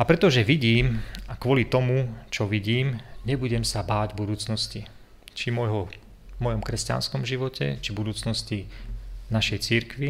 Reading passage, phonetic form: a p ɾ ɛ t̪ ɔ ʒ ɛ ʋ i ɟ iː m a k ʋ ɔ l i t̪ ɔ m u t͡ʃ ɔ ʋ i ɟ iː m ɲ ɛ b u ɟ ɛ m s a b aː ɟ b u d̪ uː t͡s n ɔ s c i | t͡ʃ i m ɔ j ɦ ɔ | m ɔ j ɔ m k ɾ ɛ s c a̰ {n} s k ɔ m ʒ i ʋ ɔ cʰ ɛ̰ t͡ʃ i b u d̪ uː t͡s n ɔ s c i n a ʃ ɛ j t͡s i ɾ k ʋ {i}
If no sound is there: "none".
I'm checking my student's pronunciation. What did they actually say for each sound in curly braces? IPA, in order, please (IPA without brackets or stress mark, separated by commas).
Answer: n, i